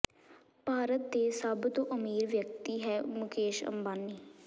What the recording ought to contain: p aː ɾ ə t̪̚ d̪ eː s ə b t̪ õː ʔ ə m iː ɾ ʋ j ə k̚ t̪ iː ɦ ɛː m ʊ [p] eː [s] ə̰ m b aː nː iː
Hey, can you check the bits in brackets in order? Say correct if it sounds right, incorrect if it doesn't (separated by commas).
incorrect, incorrect